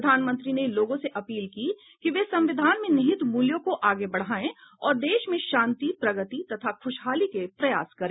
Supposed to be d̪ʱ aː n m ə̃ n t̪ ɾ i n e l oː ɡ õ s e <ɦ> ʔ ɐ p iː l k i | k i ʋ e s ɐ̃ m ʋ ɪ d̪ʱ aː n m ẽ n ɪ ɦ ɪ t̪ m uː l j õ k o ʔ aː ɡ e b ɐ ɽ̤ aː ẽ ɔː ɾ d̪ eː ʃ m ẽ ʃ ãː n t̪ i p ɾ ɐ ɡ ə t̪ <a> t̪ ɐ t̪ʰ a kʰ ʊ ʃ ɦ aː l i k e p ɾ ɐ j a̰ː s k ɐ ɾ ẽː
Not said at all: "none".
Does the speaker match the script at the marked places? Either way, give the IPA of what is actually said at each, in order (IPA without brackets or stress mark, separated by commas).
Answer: none, i